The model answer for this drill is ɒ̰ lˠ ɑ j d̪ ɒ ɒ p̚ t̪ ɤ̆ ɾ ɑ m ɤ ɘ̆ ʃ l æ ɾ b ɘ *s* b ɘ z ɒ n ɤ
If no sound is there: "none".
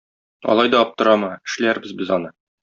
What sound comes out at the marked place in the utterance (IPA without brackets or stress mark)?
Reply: z